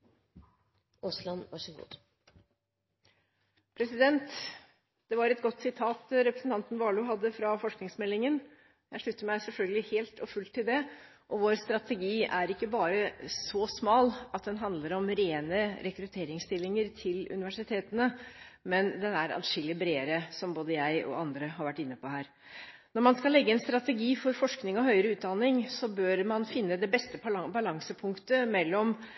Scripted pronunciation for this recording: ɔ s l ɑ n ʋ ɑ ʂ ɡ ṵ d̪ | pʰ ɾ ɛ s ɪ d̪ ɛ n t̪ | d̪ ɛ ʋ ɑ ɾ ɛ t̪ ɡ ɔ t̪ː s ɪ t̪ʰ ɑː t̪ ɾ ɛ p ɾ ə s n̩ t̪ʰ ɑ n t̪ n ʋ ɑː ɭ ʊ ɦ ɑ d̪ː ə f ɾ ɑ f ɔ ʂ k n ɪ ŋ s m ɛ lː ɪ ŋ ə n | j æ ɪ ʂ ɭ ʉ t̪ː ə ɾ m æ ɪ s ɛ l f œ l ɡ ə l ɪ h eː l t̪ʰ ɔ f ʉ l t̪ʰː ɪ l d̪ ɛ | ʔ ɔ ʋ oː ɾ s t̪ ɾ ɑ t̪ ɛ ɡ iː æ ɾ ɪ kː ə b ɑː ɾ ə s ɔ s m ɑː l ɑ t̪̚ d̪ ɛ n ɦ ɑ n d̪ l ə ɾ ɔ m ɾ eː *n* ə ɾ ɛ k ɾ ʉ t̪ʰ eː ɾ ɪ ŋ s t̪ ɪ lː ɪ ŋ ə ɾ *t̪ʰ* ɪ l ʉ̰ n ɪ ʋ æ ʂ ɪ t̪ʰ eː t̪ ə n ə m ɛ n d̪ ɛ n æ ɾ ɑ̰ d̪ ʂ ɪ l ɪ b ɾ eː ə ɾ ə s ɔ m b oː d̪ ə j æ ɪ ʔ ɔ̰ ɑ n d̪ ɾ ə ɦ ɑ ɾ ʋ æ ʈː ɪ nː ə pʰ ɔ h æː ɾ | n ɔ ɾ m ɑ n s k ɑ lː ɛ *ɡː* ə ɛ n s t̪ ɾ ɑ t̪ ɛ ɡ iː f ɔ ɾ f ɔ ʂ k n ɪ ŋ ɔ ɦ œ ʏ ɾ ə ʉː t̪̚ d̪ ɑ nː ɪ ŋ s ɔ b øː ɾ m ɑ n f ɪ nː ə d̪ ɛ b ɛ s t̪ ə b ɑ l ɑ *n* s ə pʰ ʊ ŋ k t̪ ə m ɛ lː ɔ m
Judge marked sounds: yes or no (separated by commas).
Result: yes, yes, yes, no